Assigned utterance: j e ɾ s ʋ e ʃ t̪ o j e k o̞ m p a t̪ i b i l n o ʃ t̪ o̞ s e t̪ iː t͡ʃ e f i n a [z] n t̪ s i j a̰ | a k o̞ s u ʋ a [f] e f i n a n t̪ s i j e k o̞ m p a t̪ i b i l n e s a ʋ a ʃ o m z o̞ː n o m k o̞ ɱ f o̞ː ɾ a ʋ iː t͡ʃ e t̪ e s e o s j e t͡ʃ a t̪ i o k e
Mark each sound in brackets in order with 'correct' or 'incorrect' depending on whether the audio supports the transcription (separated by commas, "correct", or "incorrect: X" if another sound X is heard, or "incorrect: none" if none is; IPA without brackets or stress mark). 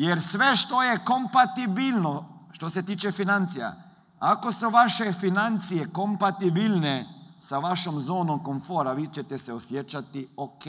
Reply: incorrect: none, incorrect: ʃ